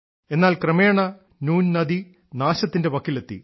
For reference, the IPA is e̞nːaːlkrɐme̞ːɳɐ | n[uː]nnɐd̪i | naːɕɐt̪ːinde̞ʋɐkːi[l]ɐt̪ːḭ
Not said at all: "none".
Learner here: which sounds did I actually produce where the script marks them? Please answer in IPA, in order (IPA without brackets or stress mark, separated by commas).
uː, l